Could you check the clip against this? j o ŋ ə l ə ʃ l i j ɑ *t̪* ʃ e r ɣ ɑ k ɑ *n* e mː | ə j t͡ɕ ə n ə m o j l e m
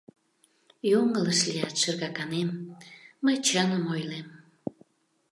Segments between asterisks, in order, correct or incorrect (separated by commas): correct, correct